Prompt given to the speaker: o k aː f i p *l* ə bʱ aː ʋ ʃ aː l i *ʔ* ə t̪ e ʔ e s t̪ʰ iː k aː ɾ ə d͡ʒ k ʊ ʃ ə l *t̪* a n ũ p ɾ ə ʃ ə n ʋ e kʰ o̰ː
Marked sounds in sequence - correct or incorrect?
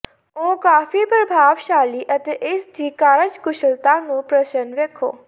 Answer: incorrect, correct, correct

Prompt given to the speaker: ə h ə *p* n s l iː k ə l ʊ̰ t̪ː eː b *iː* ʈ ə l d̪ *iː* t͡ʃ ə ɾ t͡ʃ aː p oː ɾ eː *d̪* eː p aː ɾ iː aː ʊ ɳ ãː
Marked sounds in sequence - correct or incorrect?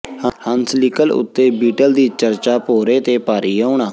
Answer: incorrect, correct, correct, incorrect

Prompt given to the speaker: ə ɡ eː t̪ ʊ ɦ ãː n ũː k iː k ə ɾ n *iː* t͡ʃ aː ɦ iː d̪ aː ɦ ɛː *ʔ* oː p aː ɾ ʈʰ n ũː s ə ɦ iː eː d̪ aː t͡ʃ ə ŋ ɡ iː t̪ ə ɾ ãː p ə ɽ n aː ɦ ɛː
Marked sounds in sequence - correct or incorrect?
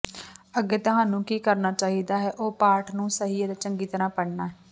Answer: incorrect, correct

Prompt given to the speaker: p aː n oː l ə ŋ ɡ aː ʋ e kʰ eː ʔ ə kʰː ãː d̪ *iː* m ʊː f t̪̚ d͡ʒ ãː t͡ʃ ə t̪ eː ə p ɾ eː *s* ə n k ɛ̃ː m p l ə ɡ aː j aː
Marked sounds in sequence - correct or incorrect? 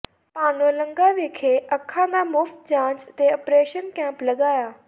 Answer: incorrect, incorrect

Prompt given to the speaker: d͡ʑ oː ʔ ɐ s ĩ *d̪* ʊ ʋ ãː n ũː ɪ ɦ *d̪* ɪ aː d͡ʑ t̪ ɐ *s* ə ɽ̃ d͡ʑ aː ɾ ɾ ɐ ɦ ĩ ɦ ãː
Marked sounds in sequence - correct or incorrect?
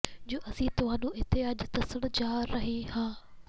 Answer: incorrect, incorrect, correct

